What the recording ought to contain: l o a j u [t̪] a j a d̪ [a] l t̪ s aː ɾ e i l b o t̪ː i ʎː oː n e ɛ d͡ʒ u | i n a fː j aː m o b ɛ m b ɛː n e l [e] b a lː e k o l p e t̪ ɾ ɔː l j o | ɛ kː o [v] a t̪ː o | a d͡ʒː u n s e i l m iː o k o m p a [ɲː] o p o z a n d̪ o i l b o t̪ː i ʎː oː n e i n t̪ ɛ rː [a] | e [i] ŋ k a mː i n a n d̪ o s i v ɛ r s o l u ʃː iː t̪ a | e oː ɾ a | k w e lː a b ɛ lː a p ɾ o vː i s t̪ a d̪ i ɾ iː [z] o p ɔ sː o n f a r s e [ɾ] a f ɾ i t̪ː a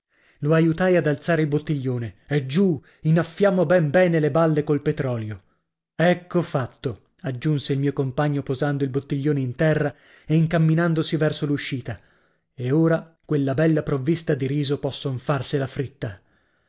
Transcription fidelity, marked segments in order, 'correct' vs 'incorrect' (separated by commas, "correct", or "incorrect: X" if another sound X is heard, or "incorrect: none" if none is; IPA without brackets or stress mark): correct, correct, correct, incorrect: f, correct, correct, correct, correct, incorrect: l